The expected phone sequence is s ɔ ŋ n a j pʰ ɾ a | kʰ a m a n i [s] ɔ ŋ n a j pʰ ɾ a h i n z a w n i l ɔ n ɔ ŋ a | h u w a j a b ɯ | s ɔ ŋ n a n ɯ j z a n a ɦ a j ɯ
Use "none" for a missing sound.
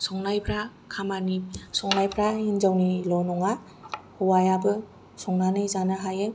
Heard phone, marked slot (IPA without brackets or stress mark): s